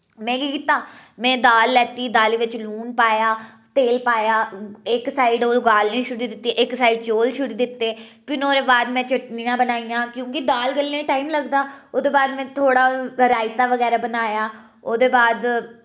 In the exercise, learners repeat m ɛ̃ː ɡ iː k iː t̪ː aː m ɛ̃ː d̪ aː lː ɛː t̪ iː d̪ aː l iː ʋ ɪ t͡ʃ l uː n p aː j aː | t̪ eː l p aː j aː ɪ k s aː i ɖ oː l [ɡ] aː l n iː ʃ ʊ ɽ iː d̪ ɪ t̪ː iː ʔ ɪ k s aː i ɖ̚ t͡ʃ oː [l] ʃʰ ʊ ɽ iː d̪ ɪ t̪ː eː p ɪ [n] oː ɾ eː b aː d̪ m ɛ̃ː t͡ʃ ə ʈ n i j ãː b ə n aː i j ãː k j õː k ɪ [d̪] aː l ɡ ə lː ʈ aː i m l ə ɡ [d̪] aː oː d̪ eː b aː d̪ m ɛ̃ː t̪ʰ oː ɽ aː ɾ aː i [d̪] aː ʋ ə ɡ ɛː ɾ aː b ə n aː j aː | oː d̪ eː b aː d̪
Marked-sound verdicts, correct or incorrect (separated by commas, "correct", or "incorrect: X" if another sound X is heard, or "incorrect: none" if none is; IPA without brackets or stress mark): correct, correct, correct, correct, correct, incorrect: t̪